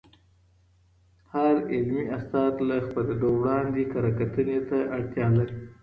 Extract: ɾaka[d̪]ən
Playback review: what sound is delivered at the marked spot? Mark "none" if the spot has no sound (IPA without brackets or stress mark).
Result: t̪